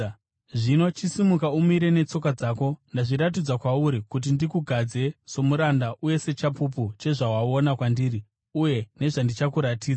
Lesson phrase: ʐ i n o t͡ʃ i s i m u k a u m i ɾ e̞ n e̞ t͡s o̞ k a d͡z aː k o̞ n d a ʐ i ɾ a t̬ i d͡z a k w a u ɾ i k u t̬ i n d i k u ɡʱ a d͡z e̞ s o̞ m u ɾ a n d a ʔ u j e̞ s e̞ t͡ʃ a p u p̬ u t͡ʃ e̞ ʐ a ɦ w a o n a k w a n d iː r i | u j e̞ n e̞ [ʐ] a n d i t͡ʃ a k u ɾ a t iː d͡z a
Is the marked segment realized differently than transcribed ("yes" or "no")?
no